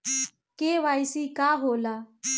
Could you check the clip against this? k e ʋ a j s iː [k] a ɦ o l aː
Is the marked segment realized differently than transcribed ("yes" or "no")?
no